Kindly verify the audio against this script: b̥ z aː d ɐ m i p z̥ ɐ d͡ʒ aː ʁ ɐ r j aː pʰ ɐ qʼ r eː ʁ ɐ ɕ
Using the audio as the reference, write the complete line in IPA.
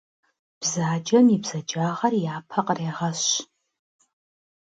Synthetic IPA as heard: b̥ z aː d͡ʒ ɐ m i b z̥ ɐ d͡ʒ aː ʁ ɐ r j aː pʰ ɐ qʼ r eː ʁ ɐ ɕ